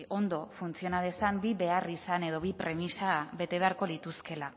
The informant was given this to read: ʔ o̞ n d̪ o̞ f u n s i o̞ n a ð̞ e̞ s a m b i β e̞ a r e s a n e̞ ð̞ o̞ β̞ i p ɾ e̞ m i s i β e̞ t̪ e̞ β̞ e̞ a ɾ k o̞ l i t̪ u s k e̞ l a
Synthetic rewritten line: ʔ o̞ n d̪ o̞ f u n t͡s i o̞ n a ð̞ e̞ s a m b i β e̞ a r i s a n e̞ ð̞ o̞ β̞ i p ɾ e̞ m i s a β e̞ t̪ e̞ β̞ e̞ a ɾ k o̞ l i t̪ u s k e̞ l a